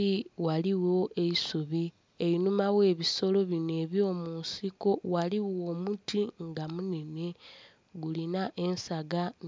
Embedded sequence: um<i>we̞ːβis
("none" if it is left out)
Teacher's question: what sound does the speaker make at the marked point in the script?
a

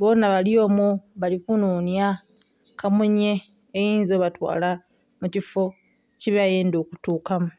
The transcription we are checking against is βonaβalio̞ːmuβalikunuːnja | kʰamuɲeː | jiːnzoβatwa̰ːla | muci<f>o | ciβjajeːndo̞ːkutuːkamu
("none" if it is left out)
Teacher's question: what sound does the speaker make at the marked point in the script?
f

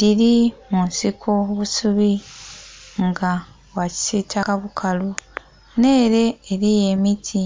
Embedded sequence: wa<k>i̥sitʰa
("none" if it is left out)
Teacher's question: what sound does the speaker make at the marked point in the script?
c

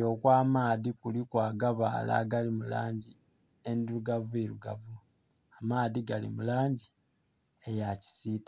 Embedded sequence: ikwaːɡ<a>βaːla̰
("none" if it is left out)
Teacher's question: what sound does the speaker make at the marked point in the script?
a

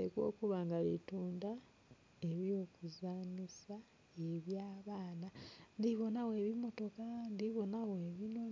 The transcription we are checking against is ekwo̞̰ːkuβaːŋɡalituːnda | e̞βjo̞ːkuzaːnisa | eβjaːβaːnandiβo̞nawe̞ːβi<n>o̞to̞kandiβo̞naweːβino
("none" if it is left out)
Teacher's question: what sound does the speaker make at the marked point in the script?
m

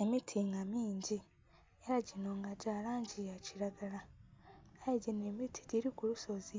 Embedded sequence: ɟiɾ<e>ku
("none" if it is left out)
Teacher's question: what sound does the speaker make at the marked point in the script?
i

